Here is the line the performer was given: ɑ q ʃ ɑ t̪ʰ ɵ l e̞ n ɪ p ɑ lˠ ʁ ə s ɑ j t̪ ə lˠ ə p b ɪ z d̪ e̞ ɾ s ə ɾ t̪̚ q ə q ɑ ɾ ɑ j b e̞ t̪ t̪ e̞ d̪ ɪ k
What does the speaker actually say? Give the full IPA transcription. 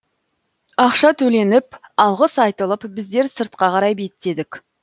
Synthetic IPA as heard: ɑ q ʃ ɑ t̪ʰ ɵ l e̞ n ɪ p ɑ lˠ ʁ ə s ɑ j t̪ ə lˠ ə p b ɪ z d̪ e̞ ɾ s ə ɾ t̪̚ q ɑ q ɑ ɾ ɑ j b e̞ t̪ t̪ e̞ d̪ ɪ k